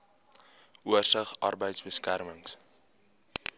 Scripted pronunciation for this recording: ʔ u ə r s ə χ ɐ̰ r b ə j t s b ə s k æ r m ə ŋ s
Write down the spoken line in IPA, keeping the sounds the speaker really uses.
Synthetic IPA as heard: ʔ u ə r s ə χ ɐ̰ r b ə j t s b ə s k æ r m ə ŋ s